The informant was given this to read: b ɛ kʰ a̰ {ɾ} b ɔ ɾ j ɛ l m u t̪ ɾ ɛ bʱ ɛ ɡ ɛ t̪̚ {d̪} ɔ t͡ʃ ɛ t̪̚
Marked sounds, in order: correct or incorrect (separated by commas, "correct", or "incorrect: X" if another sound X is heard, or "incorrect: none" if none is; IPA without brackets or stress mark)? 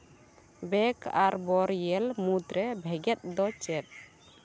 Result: correct, correct